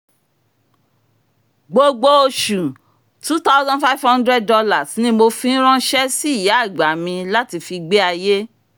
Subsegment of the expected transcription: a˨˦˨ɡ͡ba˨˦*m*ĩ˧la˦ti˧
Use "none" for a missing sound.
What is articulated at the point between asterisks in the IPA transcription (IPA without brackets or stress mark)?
m